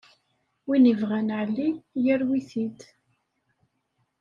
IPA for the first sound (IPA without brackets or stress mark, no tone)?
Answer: w